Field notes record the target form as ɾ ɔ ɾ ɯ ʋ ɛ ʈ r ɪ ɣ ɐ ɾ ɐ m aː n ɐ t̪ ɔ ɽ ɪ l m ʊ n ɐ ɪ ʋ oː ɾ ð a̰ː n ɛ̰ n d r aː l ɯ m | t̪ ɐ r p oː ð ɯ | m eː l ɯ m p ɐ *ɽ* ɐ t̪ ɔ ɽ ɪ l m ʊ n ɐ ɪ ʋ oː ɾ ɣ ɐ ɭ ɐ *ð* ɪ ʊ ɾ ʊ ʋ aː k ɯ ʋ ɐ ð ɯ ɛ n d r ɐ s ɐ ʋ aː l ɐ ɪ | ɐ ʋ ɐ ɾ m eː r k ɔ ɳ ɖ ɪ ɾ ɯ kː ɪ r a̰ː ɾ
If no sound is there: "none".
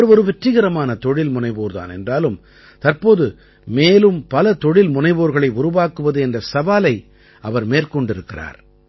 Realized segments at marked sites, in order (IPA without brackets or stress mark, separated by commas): l, none